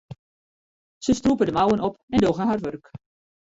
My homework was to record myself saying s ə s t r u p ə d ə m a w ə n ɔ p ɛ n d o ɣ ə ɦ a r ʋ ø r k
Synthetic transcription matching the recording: s ə s t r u p ə d ə m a w ə n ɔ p ɛ n d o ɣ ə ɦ a r ʋ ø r k